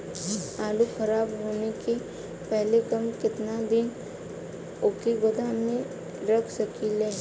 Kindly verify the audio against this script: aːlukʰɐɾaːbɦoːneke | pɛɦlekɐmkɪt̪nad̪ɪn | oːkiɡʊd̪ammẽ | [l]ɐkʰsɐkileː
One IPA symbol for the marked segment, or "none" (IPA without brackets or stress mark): ɾ